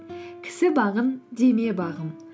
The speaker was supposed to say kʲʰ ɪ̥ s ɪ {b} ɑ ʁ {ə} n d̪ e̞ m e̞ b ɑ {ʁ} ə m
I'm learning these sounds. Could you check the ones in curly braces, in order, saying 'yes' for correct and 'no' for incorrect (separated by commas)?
yes, yes, yes